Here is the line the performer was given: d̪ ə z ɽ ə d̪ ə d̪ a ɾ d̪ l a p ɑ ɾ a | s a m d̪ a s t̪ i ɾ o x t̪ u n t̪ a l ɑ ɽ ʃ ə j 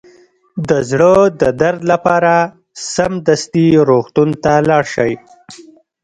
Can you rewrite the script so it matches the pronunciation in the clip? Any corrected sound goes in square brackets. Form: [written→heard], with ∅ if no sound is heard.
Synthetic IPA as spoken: d̪ ə z ɽ ə d̪ ə d̪ a ɾ d̪ l a p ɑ ɾ a | s a m d̪ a s t̪ i ɾ o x t̪ u n t̪ a l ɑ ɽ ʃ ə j

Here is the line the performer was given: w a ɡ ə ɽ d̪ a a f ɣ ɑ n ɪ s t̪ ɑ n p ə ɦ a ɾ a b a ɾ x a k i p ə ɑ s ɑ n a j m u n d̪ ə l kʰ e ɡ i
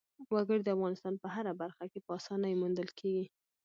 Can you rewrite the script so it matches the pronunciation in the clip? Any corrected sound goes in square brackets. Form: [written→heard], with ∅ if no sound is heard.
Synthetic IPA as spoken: w a ɡ ə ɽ d̪ [a→ə] a f ɣ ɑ n ɪ s t̪ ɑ n p ə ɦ a ɾ a b a ɾ x a k [i→e] p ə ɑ s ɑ n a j m u n d̪ ə l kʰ e ɡ i

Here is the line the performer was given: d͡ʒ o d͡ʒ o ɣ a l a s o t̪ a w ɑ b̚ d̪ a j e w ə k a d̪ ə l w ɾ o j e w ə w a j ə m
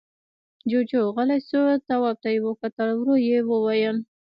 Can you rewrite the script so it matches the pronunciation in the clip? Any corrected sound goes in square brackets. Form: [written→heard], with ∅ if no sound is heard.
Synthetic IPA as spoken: d͡ʒ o d͡ʒ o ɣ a l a s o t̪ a w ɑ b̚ [d̪→t̪] a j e w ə k a [d̪→t̪] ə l w ɾ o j e w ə w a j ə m

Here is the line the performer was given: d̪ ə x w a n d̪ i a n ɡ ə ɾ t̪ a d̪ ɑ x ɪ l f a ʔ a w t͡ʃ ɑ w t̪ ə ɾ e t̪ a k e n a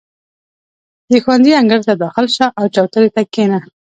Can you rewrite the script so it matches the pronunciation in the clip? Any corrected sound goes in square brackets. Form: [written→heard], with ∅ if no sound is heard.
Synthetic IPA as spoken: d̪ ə x w a n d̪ i a [n→ŋ] ɡ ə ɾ t̪ a d̪ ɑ x ɪ l [f→ʃ] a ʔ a w t͡ʃ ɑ w t̪ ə ɾ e t̪ a k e n a

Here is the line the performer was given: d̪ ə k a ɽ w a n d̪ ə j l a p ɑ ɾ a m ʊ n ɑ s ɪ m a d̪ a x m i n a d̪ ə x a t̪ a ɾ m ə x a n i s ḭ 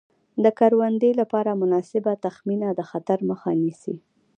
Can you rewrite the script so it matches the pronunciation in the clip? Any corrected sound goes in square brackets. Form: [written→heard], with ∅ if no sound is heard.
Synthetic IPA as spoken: d̪ ə k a [ɽ→ɾ] w a n d̪ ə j l a p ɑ ɾ a m ʊ n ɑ s ɪ [m→b] a [d̪→t̪] a x m i n a d̪ ə x a t̪ a ɾ m ə x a n i s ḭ

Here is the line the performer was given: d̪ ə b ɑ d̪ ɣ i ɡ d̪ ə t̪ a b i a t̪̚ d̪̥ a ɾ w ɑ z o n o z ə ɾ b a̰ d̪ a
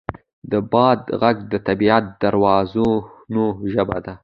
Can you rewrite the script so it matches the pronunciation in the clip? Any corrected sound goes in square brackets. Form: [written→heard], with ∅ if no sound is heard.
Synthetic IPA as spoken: d̪ ə b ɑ d̪ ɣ [i→a] ɡ d̪ ə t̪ a b i a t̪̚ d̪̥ a ɾ w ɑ z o n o [z→ʒ] ə [ɾ→∅] b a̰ d̪ a

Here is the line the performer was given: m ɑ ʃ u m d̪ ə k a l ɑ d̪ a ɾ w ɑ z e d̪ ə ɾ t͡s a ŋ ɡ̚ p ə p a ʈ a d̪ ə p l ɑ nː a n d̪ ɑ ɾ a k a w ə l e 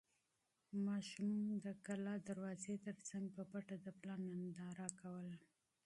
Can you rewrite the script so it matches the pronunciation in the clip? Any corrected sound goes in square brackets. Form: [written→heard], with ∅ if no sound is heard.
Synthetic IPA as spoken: m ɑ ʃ u m d̪ ə k a l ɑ d̪ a ɾ w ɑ z e [d̪→t̪] ə ɾ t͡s a ŋ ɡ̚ p ə p a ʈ a d̪ ə p l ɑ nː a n d̪ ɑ ɾ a k a w ə l [e→a]

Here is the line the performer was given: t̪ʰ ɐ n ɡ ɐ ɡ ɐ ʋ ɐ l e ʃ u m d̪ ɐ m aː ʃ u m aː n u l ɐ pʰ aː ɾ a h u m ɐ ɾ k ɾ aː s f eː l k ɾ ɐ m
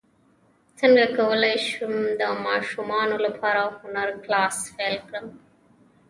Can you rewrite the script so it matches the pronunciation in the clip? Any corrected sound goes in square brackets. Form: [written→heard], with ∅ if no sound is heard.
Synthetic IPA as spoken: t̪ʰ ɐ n ɡ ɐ [ɡ→k] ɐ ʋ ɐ l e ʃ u m d̪ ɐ m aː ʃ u m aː n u l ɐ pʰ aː ɾ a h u [m→n] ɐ ɾ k [ɾ→l] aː s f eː l k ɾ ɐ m

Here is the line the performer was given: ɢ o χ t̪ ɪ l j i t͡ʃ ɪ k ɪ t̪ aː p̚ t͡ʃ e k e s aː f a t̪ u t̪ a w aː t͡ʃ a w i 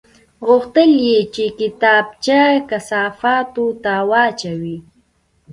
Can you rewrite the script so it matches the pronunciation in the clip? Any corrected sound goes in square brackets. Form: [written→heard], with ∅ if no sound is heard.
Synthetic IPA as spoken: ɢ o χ t̪ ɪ l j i t͡ʃ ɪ k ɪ t̪ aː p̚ t͡ʃ [e→a] k [e→a] s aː f a t̪ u t̪ a w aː t͡ʃ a w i

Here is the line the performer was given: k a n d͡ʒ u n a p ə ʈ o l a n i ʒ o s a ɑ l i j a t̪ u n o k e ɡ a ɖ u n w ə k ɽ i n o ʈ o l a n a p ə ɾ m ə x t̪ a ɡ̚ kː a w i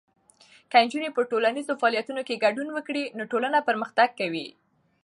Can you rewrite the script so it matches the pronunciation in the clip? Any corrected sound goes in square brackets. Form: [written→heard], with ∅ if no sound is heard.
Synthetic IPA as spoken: k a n d͡ʒ u n [a→e] p ə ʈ o l a n i [ʒ→z] o [s→f] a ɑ l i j a t̪ u n o k e ɡ a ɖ u n w ə k ɽ i n o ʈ o l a n a p ə ɾ m ə x t̪ a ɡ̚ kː a w i

